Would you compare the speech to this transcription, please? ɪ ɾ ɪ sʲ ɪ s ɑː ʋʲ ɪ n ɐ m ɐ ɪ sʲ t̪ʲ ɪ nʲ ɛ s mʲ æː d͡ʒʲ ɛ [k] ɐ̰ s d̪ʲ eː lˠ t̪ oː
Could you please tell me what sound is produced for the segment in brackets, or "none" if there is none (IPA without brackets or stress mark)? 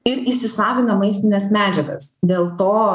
ɡ